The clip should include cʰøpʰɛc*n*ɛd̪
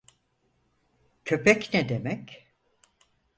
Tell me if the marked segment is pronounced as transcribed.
yes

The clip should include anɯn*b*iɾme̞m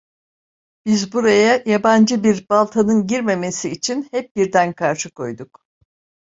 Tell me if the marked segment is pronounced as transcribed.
no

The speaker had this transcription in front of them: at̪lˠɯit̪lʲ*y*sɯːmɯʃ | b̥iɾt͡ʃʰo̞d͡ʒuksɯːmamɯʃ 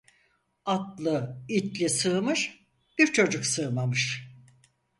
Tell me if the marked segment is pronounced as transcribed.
no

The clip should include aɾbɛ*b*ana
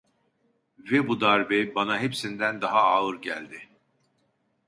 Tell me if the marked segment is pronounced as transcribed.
yes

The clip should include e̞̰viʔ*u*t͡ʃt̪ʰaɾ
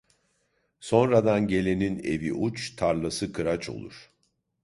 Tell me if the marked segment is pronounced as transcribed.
yes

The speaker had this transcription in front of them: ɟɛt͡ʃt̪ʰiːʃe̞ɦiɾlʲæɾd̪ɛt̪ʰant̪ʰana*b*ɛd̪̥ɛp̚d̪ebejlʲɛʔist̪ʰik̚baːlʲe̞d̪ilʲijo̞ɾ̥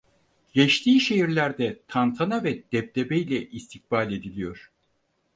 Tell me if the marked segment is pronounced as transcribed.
no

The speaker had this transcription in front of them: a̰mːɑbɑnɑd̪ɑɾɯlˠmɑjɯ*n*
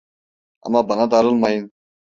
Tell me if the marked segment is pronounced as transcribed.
yes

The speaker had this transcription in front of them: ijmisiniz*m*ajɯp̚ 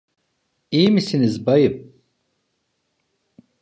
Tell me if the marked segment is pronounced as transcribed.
no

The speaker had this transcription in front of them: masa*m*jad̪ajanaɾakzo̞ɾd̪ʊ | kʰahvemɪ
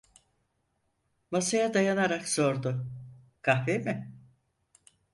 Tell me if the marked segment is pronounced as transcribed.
no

